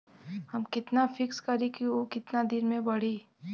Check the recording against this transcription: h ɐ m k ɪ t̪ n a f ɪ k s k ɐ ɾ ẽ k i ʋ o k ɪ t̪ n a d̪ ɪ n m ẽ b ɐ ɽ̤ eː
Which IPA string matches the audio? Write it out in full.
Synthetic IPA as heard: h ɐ m k ɪ t̪ n a f ɪ k s k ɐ ɾ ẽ k i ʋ o k ɪ t̪ n a d̪ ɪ n m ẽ b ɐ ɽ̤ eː